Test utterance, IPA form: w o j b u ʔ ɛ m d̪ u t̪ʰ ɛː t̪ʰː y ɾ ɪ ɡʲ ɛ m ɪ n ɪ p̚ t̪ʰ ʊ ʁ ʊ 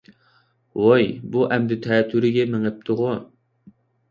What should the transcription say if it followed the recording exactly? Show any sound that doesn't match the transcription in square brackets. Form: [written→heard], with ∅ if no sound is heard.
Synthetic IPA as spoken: w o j b u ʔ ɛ m d̪ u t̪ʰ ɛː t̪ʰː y ɾ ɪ ɡʲ ɛ m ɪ [n→ŋ] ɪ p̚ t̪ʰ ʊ ʁ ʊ